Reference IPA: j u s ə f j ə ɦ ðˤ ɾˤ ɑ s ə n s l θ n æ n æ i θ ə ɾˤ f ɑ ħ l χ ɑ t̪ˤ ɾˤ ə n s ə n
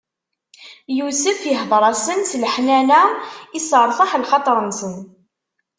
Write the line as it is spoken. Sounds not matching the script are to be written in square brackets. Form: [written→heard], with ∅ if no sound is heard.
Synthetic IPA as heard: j u s ə f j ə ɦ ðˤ ɾˤ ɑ s ə n s l [θ→ħ] n æ n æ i [θ→s] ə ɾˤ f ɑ ħ l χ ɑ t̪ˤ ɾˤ ə n s ə n